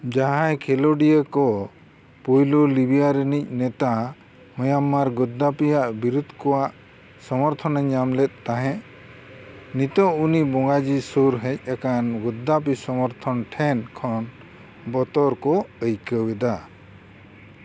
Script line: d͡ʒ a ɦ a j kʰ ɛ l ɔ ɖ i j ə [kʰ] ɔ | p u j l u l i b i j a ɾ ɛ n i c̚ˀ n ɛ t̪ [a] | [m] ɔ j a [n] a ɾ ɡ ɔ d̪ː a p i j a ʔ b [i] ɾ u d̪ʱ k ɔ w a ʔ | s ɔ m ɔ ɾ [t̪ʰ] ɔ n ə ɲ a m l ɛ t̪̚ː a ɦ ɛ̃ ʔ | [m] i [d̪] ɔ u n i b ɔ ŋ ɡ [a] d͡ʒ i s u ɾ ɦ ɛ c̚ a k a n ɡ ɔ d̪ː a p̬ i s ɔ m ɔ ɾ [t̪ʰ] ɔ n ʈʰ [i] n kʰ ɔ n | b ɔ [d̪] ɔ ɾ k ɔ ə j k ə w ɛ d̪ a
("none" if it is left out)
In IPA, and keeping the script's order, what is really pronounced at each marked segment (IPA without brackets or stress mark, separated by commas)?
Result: k, a, m, m, i, t̪ʰ, n, t̪, a, t̪ʰ, ɛ, t̪